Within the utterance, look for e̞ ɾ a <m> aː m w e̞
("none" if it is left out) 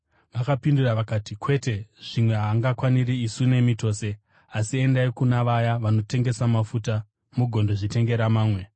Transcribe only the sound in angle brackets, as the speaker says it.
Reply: m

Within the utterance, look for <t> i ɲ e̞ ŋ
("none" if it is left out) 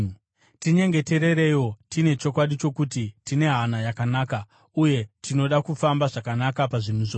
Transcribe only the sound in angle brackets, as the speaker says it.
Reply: t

